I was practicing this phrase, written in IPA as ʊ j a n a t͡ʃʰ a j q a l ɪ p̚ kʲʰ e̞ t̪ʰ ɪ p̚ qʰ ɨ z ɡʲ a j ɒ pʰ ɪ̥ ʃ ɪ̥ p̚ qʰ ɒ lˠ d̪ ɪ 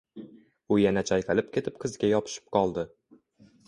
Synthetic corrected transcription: ʊ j a n a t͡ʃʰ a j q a l ɪ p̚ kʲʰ e̞ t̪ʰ ɪ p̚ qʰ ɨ z ɡʲ a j ɒ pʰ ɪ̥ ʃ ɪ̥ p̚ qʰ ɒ lˠ d̪ ɪ